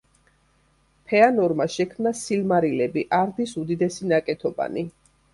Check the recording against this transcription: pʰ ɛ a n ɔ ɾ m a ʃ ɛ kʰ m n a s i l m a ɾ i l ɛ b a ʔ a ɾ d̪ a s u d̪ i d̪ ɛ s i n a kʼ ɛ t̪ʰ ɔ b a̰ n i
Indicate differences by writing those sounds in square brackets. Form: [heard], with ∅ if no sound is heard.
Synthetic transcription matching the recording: pʰ ɛ a n ɔ ɾ m a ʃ ɛ kʰ m n a s i l m a ɾ i l ɛ b [i] ʔ a ɾ d̪ [i] s u d̪ i d̪ ɛ s i n a kʼ ɛ t̪ʰ ɔ b a̰ n i